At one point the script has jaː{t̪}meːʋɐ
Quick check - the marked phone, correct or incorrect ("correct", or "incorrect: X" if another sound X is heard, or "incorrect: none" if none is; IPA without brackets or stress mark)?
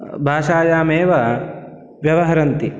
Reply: incorrect: none